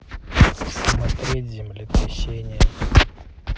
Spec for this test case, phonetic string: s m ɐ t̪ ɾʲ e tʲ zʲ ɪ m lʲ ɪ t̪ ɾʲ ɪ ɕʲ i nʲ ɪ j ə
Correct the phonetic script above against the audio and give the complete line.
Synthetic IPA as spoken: s m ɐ t̪ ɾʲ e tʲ zʲ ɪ m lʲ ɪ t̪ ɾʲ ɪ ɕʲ e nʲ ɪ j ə